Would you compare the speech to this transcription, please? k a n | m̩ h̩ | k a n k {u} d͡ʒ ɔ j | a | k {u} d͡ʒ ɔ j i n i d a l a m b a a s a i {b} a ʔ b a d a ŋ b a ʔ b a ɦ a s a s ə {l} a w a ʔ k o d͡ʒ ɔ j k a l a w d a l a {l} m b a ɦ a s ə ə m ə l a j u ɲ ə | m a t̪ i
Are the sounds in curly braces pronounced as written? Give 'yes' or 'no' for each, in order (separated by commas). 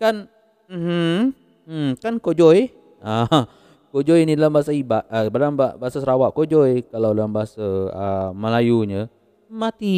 no, no, yes, no, no